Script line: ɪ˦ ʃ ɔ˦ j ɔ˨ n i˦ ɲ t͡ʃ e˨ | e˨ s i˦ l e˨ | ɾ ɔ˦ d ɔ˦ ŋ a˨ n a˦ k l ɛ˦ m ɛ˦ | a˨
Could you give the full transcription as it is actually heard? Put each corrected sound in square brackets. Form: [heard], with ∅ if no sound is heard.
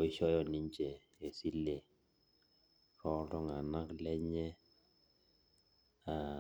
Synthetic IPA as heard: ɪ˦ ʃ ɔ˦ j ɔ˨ n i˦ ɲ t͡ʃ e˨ | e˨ s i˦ l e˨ | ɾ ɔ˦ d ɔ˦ ŋ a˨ n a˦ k l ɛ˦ [ɲ] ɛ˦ | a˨